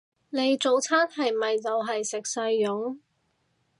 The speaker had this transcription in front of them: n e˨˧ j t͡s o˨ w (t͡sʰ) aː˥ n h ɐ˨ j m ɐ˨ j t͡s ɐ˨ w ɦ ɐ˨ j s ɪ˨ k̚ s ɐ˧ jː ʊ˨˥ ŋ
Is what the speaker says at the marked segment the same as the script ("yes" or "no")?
yes